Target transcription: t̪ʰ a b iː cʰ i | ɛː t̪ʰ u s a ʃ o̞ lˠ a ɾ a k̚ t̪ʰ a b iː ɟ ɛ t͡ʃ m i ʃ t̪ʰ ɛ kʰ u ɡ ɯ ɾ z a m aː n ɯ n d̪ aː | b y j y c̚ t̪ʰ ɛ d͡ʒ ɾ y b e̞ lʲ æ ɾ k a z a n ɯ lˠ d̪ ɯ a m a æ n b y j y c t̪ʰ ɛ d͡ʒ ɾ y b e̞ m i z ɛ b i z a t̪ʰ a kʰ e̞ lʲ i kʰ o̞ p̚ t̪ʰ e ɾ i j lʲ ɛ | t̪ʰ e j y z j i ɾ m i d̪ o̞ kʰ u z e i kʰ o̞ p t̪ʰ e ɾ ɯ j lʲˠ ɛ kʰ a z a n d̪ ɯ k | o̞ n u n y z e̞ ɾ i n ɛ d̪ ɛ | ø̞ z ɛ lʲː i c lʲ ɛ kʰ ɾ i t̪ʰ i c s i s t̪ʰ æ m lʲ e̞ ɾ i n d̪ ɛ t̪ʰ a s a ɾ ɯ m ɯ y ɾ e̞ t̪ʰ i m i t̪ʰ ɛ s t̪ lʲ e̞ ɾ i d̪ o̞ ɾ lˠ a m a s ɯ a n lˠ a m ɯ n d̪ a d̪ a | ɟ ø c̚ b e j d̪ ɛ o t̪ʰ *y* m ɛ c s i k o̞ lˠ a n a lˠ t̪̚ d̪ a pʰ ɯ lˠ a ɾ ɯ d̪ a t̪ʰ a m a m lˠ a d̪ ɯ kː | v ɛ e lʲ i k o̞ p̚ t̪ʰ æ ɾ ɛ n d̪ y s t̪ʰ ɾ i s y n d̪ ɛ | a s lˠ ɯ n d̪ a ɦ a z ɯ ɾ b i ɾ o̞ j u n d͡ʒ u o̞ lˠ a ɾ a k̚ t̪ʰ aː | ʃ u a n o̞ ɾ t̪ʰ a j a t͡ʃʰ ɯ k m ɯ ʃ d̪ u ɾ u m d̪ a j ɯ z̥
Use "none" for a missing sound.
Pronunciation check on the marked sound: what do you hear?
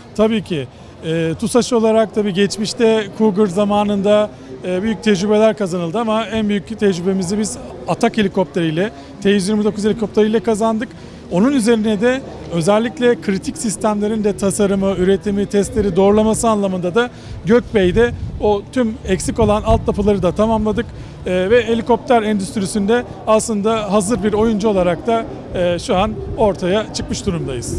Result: y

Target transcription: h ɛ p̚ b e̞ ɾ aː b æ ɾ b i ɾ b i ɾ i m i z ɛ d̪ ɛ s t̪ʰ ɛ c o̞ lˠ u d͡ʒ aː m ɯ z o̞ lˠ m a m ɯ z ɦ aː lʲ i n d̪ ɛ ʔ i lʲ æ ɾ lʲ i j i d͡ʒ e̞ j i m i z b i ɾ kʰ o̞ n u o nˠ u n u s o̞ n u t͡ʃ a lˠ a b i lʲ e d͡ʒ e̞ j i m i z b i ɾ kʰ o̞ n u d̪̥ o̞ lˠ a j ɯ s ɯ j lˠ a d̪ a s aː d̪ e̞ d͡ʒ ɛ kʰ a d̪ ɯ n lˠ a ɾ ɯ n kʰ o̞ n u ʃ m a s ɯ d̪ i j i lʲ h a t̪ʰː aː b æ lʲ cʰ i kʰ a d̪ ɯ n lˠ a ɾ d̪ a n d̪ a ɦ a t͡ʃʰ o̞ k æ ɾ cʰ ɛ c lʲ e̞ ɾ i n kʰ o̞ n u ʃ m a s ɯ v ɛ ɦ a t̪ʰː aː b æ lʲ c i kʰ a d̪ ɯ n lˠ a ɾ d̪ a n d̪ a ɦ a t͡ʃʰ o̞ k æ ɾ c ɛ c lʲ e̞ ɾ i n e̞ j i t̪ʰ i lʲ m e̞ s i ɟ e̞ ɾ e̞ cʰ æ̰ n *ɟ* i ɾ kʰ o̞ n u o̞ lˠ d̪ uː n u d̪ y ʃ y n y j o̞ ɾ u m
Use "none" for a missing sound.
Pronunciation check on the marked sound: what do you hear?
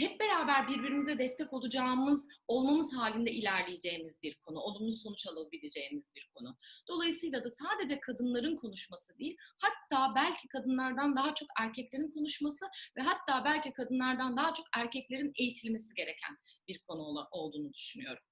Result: b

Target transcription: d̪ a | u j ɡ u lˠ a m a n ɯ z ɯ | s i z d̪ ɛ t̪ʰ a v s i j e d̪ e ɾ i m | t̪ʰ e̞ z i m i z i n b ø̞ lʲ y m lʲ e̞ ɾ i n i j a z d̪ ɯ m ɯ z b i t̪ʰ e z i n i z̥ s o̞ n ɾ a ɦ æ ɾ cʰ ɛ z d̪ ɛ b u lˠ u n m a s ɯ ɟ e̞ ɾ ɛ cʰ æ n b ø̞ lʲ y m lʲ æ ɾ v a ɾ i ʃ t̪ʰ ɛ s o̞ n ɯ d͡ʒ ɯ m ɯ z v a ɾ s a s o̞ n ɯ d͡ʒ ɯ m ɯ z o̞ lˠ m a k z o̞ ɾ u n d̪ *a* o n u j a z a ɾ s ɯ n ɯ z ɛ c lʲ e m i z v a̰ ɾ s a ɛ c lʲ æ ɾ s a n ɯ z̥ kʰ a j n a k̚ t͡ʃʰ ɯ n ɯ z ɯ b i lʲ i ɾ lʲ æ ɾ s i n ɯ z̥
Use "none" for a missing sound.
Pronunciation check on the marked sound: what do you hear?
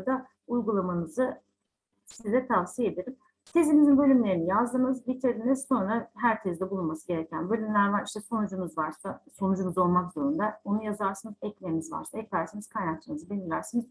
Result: a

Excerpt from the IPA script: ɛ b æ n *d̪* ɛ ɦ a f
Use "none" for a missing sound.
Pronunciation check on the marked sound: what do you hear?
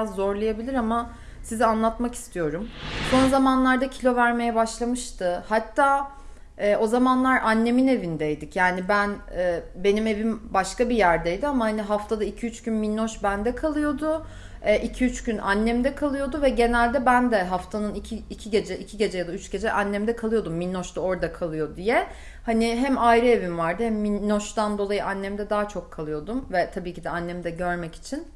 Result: d̪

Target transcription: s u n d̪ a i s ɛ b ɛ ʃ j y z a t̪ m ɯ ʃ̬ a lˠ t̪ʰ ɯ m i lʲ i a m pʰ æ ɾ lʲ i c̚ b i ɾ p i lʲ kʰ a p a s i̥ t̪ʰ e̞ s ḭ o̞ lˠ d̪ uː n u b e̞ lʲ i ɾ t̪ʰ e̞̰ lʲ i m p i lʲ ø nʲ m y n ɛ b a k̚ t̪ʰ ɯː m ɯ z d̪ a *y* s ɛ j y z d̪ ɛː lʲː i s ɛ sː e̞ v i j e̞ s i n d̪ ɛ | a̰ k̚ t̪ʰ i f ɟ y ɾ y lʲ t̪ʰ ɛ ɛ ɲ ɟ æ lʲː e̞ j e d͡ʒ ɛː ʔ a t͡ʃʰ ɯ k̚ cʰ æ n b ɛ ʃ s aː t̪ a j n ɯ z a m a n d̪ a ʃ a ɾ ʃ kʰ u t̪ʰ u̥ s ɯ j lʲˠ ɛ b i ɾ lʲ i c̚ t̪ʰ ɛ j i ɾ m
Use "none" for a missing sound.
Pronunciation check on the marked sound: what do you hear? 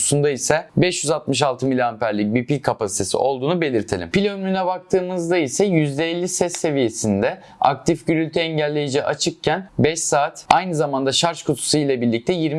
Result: i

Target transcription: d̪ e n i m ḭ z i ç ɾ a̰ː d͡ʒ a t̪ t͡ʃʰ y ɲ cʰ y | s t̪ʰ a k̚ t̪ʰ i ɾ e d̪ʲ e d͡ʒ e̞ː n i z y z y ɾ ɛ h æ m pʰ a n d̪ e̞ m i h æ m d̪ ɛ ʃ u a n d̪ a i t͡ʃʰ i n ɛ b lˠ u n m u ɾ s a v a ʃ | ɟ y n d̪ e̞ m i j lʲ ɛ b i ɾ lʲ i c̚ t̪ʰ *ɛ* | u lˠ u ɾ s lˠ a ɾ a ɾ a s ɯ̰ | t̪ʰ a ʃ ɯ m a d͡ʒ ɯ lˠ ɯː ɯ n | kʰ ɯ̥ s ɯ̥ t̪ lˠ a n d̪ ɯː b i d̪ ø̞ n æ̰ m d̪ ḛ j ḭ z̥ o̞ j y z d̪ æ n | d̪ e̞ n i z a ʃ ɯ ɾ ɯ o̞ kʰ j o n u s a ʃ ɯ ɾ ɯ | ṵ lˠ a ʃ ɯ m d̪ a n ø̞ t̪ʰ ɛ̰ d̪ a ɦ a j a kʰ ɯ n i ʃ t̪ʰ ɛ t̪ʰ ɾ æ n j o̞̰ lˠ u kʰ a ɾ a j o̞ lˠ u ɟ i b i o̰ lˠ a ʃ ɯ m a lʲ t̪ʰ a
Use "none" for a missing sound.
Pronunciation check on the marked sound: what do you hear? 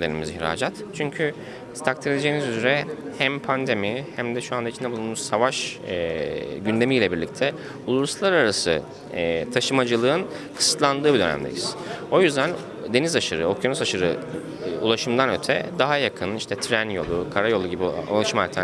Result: ɛ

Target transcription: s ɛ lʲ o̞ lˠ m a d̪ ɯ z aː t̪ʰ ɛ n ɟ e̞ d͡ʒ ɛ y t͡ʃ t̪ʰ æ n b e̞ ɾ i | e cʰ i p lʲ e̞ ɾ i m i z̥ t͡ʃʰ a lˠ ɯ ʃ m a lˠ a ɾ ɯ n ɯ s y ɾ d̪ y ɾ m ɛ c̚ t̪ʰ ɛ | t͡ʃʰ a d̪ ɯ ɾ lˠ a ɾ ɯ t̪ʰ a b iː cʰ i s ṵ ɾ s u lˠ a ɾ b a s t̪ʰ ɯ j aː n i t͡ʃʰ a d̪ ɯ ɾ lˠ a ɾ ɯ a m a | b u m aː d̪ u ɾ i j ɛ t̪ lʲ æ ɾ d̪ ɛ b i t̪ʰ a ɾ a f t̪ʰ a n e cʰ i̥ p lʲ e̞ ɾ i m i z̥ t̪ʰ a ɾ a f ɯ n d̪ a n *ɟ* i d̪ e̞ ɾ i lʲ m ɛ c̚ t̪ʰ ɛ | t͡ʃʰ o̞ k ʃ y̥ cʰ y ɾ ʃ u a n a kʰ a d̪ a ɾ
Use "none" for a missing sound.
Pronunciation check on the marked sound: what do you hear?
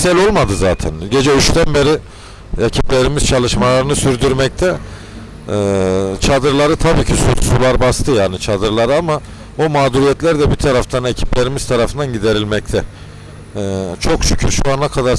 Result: ɟ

